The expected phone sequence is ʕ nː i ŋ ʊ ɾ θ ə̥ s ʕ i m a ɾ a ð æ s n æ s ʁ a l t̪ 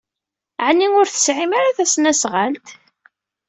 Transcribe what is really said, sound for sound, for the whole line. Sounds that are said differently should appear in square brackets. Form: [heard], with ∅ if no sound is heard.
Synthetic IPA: ʕ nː i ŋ ʊ ɾ θ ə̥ s ʕ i m a ɾ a [θ] æ s n æ s ʁ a l t̪